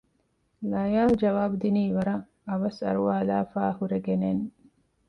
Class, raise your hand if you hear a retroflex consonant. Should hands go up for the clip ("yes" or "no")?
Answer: no